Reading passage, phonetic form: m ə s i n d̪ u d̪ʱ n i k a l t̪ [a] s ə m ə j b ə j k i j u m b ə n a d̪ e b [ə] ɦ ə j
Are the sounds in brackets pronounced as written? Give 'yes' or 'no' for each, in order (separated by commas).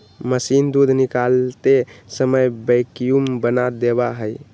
no, no